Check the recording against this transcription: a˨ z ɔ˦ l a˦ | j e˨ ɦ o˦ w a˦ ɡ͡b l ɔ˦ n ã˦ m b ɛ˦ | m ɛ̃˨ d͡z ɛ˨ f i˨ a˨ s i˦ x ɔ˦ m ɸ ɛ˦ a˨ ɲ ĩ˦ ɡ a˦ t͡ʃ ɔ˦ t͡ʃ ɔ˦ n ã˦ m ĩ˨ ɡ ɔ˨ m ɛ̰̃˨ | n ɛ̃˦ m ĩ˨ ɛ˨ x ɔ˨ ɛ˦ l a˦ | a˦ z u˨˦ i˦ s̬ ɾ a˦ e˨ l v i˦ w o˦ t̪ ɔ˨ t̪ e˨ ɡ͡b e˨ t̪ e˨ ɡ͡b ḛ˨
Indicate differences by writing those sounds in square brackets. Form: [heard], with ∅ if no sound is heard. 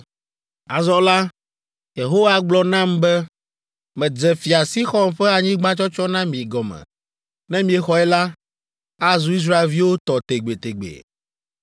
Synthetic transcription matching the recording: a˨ z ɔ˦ l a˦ | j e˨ ɦ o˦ w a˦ ɡ͡b l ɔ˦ n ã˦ m b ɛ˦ | m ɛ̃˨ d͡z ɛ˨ f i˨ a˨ s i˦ x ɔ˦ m ɸ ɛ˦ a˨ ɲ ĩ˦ [ɡ͡b] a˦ t͡ʃ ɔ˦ t͡ʃ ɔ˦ n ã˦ m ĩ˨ ɡ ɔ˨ m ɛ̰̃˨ | n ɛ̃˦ m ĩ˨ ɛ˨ x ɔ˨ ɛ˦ l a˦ | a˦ z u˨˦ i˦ s̬ ɾ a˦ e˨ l v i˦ w o˦ t̪ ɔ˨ t̪ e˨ ɡ͡b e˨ t̪ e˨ ɡ͡b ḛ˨